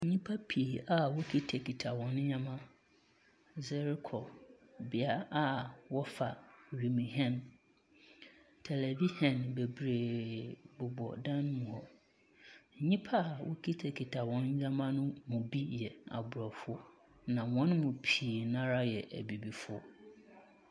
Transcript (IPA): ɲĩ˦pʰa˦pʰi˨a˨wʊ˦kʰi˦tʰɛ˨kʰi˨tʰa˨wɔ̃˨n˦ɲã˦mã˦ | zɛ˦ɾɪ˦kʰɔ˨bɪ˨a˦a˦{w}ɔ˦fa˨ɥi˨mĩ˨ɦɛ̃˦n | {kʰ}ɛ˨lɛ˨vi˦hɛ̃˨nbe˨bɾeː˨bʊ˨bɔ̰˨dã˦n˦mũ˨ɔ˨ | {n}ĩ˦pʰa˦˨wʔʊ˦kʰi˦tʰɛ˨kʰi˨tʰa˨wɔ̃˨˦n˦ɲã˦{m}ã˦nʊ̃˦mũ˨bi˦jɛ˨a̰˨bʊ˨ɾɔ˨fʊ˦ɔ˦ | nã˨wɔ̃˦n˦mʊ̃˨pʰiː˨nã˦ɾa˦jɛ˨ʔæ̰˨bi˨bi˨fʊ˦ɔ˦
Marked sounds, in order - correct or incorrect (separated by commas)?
correct, incorrect, incorrect, correct